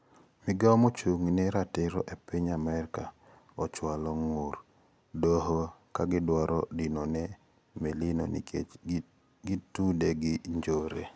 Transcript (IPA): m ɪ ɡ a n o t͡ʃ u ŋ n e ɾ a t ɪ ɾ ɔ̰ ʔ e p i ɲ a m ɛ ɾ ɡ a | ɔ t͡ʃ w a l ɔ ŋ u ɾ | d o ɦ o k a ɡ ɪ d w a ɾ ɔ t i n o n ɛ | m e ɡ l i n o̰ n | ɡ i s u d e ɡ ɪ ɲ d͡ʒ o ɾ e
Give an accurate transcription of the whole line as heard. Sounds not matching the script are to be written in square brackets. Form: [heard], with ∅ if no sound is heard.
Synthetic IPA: m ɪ ɡ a [m] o t͡ʃ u ŋ n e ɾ a t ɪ ɾ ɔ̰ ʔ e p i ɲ a m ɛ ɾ [k] a | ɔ t͡ʃ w a l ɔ ŋ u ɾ | d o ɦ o k a ɡ ɪ d w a ɾ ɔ [d] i n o n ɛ | m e [∅] l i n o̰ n | ɡ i [t] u d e ɡ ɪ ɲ d͡ʒ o ɾ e